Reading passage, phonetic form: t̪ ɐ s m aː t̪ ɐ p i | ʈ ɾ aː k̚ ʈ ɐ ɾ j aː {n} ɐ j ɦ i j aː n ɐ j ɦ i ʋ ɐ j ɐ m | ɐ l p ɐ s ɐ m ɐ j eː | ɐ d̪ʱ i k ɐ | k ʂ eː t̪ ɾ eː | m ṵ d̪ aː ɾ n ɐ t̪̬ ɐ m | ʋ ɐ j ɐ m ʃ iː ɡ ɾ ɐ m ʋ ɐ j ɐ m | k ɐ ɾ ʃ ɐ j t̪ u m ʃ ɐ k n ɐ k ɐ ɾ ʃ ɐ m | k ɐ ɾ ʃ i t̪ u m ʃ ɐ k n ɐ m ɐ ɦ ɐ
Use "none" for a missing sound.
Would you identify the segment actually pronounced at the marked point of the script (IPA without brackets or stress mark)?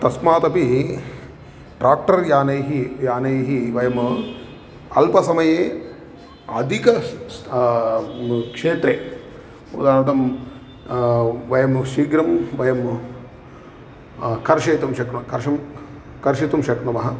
n